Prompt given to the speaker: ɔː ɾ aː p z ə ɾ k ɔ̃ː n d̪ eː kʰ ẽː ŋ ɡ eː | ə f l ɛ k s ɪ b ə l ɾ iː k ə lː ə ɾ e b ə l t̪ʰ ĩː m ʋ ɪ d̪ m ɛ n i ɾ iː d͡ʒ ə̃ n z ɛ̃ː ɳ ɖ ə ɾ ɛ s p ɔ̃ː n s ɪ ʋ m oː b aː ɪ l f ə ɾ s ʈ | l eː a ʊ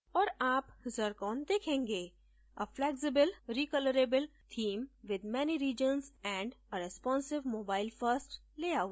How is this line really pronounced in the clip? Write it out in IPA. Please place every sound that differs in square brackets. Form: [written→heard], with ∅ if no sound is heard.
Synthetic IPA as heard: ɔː ɾ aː p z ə ɾ k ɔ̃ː n d̪ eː kʰ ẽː ŋ ɡ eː | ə f l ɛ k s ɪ b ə l ɾ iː k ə [lː→l] ə ɾ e b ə l t̪ʰ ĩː m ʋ ɪ d̪ m ɛ n i ɾ iː d͡ʒ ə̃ n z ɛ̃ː ɳ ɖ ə ɾ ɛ s p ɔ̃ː n s ɪ ʋ m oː b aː ɪ l f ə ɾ s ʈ | l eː a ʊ